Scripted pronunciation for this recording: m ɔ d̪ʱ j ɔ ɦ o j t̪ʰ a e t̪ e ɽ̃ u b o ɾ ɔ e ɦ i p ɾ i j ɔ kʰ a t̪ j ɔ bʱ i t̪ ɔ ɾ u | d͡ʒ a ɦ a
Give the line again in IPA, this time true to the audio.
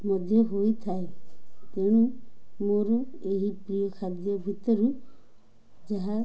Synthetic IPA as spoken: m ɔ d̪ʱ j ɔ ɦ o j t̪ʰ a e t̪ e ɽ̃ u m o ɾ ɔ e ɦ i p ɾ i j ɔ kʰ a d̪ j ɔ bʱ i t̪ ɔ ɾ u | d͡ʒ a ɦ a